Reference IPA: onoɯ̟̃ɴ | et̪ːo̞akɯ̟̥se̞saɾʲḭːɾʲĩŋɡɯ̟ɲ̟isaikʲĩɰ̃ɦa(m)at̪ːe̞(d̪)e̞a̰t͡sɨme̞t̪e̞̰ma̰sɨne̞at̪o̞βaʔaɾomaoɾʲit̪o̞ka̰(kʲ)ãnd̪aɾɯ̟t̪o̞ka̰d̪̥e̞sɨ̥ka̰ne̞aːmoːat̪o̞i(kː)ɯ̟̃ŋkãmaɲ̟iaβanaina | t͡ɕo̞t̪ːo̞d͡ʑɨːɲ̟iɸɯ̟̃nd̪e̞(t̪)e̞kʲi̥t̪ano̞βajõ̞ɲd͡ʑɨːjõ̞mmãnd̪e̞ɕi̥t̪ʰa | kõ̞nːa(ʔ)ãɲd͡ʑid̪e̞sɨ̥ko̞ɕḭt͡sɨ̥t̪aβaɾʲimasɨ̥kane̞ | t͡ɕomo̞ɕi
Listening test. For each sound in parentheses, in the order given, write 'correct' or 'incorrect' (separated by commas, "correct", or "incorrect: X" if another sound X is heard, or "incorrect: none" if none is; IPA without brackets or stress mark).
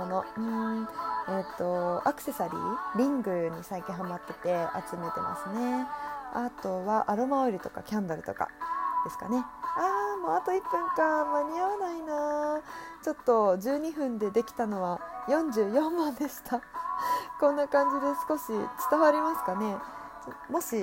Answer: correct, incorrect: t̪, correct, incorrect: pː, incorrect: d̪, incorrect: k